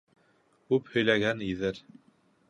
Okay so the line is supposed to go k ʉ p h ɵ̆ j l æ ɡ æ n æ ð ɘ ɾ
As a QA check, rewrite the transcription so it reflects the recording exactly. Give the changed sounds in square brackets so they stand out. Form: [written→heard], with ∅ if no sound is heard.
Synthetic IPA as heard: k ʉ p h ɵ̆ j l æ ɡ æ n [æ→i] ð ɘ ɾ